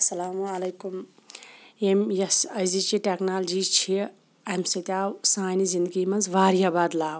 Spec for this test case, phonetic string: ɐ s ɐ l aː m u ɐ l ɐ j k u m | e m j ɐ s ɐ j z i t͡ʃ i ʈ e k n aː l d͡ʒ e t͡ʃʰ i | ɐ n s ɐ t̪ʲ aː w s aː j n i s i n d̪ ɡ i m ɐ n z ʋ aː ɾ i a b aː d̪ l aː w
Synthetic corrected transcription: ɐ s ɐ l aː m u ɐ l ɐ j k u m | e m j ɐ s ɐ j z i t͡ʃ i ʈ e k n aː l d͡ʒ i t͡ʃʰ i | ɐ m s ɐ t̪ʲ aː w s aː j n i z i n d̪ ɡ i m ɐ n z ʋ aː ɾ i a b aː d̪ l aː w